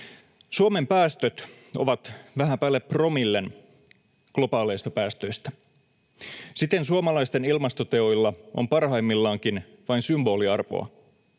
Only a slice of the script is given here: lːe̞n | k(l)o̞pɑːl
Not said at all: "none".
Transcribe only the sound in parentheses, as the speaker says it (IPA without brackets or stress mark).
l